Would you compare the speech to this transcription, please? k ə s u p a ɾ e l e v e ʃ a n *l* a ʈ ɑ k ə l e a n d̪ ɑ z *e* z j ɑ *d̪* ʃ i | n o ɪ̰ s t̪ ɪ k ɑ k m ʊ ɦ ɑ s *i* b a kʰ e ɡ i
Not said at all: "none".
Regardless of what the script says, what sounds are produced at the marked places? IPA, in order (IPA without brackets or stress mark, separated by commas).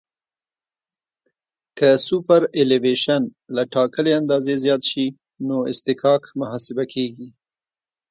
l, e, t̪, ɪ